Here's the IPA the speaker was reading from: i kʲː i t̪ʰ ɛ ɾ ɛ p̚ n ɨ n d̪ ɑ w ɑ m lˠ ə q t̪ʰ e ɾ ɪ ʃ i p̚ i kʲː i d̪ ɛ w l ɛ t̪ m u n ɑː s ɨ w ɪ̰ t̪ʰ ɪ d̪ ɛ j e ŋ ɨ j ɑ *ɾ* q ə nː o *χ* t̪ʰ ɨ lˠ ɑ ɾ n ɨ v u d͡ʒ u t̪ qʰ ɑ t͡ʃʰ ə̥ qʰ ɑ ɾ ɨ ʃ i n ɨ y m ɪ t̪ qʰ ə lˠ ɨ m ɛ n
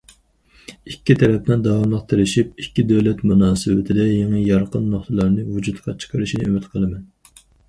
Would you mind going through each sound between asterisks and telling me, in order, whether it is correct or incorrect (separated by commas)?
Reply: correct, correct